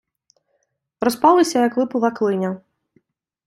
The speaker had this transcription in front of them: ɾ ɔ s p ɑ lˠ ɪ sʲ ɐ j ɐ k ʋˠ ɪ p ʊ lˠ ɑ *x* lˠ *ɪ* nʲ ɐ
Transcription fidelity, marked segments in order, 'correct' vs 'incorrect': incorrect: k, correct

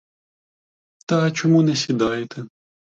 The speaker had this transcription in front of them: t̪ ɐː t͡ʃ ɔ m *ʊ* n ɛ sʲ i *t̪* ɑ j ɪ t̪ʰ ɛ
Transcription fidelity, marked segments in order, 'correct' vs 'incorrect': incorrect: u, incorrect: d̪

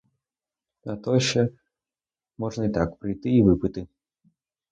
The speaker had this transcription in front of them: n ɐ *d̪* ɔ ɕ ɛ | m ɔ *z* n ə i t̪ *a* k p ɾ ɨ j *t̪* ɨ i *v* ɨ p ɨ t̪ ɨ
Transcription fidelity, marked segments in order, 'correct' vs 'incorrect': incorrect: t̪, incorrect: ʐ, correct, correct, correct

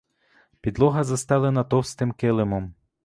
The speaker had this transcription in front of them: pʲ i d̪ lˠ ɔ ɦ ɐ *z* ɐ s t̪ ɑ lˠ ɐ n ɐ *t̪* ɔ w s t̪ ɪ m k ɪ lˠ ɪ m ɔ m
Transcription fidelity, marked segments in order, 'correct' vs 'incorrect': correct, correct

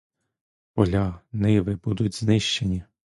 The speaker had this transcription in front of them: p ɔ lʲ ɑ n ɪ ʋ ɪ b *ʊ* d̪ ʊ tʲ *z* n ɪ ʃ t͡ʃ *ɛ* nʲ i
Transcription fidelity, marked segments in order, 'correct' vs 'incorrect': incorrect: u, correct, incorrect: e

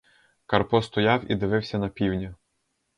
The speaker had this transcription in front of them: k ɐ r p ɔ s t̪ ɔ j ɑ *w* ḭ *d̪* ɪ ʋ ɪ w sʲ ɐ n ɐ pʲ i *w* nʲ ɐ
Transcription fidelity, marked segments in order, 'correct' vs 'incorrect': correct, correct, correct

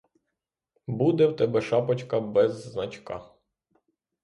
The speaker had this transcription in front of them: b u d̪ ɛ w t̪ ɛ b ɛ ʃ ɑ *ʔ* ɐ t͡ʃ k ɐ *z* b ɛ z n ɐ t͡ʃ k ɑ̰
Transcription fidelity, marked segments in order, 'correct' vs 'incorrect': incorrect: p, incorrect: none

